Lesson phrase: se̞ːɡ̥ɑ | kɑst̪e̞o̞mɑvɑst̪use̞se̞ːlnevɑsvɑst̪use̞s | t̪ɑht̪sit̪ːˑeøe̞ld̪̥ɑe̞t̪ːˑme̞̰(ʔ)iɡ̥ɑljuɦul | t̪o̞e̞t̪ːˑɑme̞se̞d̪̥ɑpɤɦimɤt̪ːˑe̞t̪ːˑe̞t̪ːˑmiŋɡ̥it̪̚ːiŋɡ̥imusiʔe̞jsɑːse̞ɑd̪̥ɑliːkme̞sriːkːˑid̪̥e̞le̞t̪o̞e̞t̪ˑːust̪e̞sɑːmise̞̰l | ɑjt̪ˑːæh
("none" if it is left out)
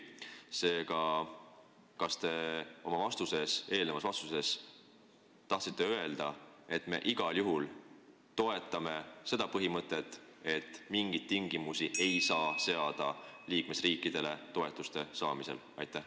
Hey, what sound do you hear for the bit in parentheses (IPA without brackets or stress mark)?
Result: ʔ